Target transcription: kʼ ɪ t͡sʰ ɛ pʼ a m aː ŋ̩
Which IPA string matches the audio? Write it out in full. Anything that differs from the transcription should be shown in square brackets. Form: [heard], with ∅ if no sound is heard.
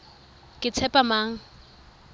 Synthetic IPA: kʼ ɪ t͡sʰ ɛ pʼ a m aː ŋ̩